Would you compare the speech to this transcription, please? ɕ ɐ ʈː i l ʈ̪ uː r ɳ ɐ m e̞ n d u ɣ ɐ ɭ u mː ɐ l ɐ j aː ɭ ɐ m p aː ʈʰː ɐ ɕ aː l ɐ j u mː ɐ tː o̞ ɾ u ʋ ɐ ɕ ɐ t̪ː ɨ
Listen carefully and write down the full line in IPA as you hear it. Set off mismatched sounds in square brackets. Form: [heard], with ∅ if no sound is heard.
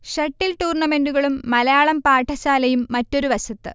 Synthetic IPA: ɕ ɐ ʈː i l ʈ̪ uː r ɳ ɐ m e̞ n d u ɣ ɐ ɭ u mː ɐ l ɐ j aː ɭ ɐ m p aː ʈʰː ɐ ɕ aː l ɐ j u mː ɐ tː o̞ ɾ u ʋ ɐ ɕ ɐ t̪ː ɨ